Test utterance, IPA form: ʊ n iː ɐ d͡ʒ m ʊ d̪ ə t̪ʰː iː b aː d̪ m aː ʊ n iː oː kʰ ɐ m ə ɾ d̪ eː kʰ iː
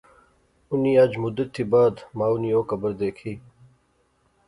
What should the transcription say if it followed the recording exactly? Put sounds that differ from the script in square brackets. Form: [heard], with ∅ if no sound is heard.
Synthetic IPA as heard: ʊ n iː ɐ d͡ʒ m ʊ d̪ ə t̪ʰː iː b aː d̪ m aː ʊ n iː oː [k] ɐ [b] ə ɾ d̪ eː kʰ iː